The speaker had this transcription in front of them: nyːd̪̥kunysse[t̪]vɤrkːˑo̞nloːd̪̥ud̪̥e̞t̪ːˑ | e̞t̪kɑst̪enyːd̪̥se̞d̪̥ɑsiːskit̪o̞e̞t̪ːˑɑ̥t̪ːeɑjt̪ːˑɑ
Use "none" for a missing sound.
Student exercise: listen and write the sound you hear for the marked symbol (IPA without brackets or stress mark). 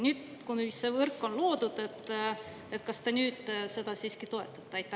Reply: none